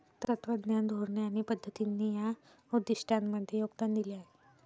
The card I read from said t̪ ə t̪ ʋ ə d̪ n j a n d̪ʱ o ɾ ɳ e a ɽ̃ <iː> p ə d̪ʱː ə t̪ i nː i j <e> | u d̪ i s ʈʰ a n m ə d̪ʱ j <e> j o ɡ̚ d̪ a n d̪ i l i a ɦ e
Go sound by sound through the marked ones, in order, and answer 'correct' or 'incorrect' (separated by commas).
incorrect, incorrect, correct